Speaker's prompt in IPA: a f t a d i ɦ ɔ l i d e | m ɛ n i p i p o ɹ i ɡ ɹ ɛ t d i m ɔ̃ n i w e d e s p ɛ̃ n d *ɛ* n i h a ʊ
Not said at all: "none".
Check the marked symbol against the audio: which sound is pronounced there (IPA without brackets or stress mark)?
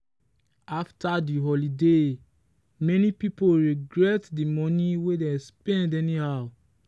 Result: ɛ